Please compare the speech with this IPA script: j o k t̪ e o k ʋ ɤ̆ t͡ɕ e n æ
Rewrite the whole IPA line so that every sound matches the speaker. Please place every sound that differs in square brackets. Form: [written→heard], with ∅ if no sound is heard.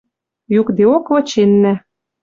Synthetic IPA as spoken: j [o→u] k [t̪→d̪] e o k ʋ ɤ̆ t͡ɕ e [n→nː] æ